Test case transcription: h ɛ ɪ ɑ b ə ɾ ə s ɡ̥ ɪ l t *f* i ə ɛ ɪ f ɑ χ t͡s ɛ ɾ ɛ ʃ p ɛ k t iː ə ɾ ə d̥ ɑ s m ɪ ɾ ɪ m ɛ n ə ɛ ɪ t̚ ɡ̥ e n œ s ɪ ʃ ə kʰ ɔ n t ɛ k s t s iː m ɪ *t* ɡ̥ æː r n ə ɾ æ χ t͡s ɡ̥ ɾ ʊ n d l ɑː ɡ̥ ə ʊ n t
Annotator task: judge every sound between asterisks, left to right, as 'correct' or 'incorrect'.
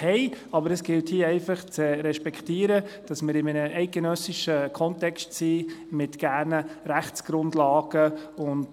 incorrect, correct

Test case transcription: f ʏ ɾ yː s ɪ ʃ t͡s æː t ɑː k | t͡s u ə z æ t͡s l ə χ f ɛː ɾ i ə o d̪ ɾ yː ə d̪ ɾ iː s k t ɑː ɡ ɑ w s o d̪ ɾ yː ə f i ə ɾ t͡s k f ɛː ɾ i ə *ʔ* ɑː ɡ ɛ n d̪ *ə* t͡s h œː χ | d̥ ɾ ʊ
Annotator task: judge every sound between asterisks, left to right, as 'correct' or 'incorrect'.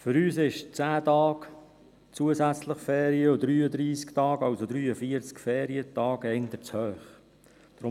incorrect, correct

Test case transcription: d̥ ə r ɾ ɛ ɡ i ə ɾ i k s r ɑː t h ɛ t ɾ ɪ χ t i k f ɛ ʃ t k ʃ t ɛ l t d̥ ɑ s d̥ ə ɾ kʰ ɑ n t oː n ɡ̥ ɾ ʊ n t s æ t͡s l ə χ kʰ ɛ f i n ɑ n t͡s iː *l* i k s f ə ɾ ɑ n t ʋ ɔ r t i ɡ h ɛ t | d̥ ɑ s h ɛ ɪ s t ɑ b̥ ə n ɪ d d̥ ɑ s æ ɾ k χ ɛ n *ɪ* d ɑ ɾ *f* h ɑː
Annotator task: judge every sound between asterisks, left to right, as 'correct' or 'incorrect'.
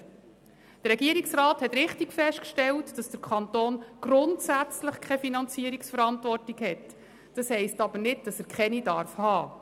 incorrect, incorrect, correct

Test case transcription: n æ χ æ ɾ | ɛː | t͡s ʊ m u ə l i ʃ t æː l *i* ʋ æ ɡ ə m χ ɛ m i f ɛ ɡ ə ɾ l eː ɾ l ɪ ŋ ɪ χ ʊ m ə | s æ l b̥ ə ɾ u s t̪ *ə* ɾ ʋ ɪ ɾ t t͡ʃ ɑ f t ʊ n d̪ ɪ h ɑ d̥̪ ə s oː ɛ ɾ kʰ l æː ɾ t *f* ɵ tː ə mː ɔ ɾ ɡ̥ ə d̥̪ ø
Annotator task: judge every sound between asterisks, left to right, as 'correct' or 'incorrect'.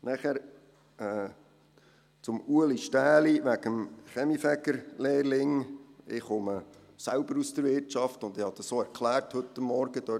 correct, correct, incorrect

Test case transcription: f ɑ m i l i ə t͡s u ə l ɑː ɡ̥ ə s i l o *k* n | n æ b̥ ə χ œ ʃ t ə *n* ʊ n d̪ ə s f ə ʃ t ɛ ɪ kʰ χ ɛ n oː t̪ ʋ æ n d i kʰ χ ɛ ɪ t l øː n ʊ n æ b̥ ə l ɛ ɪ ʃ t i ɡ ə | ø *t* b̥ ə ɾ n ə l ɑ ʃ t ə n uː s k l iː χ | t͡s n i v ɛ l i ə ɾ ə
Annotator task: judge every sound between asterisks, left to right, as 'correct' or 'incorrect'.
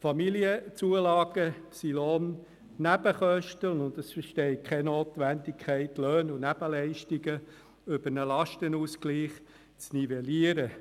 incorrect, correct, incorrect

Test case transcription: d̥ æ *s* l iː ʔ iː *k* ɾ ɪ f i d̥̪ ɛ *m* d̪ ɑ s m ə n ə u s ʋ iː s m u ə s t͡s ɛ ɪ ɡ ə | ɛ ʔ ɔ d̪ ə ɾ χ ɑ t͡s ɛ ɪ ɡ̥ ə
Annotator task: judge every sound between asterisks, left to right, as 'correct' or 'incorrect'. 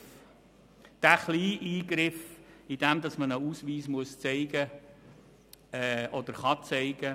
incorrect, incorrect, correct

